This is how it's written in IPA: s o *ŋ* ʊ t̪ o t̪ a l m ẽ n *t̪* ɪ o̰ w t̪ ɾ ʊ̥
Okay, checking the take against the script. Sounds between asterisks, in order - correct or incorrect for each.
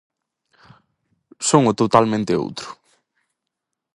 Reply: correct, correct

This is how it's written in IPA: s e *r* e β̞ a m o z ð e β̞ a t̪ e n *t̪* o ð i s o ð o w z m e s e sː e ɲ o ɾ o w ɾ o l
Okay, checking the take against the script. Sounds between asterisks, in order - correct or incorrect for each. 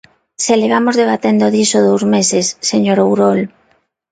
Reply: incorrect: l, incorrect: d̪

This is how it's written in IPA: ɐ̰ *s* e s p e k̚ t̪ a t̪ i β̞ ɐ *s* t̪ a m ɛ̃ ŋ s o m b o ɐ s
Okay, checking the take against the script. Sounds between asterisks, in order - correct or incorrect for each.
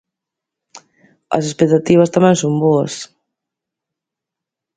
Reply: correct, correct

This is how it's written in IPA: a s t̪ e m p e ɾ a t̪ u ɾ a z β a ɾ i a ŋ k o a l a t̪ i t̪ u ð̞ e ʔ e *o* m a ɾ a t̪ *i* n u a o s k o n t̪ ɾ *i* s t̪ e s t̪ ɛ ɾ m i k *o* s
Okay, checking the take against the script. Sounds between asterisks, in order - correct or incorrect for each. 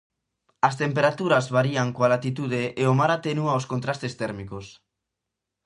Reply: correct, incorrect: e, incorrect: a, correct

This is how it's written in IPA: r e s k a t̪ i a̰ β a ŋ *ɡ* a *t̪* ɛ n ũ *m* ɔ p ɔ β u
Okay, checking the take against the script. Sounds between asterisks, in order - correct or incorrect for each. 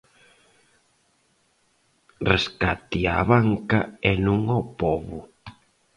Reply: incorrect: k, incorrect: none, incorrect: ŋ

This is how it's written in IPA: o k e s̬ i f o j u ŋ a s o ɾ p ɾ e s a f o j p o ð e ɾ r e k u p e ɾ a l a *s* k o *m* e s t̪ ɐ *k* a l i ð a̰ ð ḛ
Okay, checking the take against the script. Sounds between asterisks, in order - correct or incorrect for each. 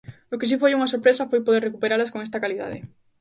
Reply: correct, incorrect: ŋ, correct

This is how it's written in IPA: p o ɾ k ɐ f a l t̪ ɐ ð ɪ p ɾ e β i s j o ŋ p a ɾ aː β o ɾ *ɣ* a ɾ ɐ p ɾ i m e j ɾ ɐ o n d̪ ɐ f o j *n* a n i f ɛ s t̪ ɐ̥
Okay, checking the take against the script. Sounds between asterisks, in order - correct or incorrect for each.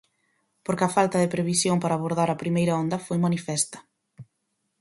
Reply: incorrect: ð, incorrect: m

